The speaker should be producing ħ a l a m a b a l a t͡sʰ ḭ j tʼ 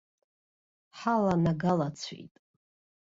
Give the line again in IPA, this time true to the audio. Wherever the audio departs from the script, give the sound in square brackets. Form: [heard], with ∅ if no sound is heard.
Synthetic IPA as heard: ħ a l a [n] a [ɡ] a l a t͡sʰ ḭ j tʼ